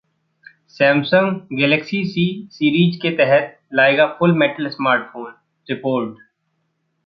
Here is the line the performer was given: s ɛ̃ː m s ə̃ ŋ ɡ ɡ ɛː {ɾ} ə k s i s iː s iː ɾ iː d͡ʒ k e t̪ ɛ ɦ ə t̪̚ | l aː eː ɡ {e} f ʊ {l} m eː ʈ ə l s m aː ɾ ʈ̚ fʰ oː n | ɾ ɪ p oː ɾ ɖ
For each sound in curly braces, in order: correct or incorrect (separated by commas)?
incorrect, incorrect, correct